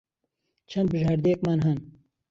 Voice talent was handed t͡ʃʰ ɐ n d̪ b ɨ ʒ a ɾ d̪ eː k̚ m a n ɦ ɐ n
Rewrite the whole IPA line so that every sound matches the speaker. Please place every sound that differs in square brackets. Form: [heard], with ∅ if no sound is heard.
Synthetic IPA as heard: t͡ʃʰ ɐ n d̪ b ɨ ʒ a ɾ d̪ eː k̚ m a n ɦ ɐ n